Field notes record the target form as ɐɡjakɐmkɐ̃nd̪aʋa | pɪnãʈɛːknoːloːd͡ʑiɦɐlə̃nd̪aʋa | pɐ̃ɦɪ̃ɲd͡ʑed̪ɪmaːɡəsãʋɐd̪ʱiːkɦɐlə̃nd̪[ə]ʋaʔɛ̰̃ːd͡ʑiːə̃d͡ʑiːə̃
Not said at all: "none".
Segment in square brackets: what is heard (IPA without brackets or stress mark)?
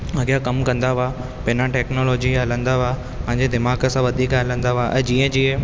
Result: a